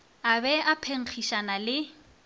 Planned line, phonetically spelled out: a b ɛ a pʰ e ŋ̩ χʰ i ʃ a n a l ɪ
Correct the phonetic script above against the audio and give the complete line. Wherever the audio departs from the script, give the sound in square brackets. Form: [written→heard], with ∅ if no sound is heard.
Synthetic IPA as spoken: a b ɛ a pʰ e ŋ̩ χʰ i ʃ a n a l ɪ